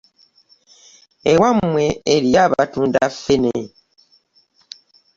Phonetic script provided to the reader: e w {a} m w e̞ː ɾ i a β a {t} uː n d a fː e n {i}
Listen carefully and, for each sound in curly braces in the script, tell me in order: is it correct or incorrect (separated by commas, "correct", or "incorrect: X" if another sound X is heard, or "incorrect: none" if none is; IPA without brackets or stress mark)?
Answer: correct, correct, incorrect: e